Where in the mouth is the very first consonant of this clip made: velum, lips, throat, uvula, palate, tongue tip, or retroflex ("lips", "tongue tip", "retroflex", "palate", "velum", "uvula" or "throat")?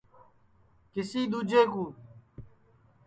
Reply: velum